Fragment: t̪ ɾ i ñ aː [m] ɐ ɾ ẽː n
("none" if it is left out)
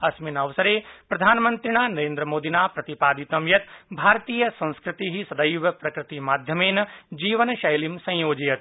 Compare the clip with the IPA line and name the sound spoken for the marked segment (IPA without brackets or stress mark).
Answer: n